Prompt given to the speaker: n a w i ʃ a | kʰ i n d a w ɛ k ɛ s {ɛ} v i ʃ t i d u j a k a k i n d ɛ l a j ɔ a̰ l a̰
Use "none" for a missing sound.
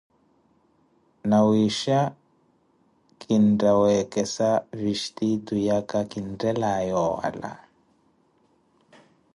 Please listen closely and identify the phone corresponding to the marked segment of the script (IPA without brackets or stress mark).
a